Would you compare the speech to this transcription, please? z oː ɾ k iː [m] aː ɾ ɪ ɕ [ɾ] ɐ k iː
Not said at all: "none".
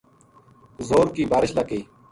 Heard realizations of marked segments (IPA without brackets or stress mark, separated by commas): b, l